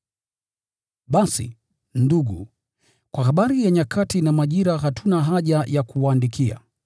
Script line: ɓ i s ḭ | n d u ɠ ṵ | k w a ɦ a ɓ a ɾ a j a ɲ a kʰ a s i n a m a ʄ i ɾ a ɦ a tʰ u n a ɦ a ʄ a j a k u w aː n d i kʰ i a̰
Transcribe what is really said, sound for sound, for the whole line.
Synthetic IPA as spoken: ɓ a s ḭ | n d u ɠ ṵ | k w a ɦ a ɓ a ɾ i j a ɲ a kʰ a t i n a m a ʄ i ɾ a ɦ a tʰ u n a ɦ a ʄ a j a k u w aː n d i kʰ i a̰